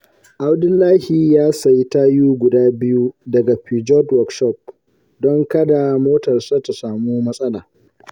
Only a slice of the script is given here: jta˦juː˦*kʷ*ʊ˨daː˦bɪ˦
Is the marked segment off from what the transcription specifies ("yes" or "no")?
yes